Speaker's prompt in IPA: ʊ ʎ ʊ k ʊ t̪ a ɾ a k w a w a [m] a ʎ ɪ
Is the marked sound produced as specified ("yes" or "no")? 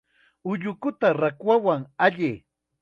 no